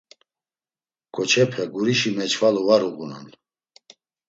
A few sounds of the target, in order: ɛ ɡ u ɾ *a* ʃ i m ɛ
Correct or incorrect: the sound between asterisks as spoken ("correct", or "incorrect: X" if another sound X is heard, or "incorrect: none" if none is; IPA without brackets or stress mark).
incorrect: i